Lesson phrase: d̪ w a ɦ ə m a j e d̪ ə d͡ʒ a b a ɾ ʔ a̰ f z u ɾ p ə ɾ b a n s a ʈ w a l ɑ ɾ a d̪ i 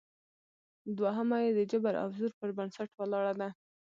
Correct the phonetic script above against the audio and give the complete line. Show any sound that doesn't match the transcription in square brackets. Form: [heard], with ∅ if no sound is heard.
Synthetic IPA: d̪ w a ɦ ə m a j e d̪ ə d͡ʒ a b a ɾ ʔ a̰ f z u ɾ p ə ɾ b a n s a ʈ w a l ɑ [ɽ] a d̪ [a]